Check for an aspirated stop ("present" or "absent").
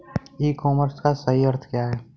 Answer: present